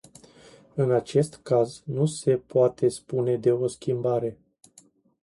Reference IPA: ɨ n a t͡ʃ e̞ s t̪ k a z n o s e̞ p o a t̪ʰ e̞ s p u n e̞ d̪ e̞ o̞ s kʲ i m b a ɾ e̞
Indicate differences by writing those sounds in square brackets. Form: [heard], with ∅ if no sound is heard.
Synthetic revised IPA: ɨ n a t͡ʃ e̞ s t̪ k a z n [u] s e̞ p o a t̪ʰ e̞ s p u n e̞ d̪ e̞ o̞ s kʲ i m b a ɾ e̞